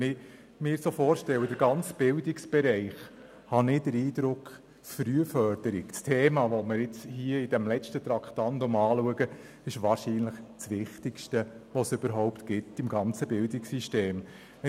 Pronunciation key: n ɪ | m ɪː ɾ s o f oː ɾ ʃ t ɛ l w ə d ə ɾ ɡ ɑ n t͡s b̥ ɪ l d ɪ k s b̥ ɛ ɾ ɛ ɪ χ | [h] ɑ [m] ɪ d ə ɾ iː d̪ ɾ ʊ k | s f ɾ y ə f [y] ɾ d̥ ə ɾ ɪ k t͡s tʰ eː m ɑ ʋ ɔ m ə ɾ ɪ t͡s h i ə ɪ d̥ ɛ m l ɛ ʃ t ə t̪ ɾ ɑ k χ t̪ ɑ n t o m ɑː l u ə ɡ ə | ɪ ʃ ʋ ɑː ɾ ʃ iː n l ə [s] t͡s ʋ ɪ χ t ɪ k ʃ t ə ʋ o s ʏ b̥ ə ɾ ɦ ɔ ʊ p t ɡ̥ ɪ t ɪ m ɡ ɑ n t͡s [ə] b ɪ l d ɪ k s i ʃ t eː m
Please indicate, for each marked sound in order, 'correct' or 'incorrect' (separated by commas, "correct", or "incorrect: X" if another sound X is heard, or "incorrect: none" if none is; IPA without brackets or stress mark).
correct, incorrect: n, incorrect: œ, incorrect: χ, correct